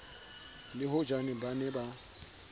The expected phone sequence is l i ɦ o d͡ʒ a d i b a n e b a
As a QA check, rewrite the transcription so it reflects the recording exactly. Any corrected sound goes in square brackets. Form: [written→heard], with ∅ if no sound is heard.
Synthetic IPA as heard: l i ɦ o d͡ʒ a [d→n] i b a n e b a